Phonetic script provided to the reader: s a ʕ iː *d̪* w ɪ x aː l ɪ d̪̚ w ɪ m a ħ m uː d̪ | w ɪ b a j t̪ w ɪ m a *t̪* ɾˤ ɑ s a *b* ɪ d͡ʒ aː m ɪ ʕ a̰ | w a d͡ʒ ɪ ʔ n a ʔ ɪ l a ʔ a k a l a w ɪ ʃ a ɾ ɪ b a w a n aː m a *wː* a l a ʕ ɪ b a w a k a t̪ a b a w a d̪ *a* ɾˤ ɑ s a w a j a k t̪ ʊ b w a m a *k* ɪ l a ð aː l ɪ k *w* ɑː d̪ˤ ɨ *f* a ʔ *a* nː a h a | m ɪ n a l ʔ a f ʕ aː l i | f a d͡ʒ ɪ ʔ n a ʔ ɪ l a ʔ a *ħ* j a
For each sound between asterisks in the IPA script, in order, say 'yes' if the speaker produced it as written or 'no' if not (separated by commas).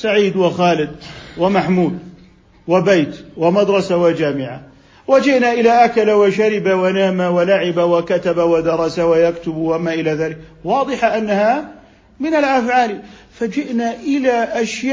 yes, no, no, no, no, no, yes, no, yes, no